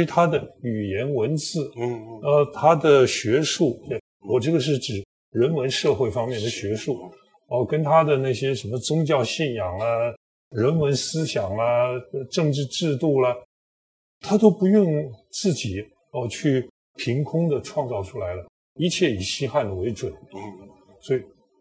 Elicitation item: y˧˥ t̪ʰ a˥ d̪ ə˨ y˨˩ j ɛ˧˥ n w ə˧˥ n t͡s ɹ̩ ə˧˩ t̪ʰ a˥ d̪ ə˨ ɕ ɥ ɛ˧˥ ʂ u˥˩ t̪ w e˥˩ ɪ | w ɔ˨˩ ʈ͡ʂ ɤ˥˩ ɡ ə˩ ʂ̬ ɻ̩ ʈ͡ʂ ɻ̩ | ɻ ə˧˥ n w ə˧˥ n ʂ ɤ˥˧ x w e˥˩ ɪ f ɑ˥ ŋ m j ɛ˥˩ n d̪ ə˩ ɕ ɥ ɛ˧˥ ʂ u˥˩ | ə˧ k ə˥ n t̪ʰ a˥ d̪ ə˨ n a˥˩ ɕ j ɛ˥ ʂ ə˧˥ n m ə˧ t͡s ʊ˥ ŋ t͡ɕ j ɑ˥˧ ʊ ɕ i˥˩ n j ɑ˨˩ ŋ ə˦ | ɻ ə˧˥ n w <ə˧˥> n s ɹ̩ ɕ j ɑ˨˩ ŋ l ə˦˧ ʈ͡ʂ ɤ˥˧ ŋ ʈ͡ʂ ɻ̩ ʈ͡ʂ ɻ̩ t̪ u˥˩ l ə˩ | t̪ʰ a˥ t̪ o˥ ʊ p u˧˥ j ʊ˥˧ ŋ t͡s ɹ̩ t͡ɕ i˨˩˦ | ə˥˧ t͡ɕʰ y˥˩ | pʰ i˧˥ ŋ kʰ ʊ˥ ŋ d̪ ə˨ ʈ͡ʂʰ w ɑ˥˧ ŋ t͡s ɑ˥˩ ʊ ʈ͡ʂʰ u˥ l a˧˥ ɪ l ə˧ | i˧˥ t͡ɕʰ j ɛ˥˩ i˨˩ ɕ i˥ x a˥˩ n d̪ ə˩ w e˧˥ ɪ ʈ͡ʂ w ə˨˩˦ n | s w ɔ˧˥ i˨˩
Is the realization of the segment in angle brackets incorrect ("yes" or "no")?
no